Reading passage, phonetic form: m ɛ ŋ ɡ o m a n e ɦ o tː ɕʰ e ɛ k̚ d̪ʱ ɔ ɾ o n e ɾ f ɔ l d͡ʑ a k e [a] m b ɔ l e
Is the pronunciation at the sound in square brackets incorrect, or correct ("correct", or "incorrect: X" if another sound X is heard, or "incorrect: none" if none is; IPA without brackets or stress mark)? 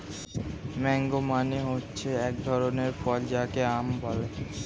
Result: correct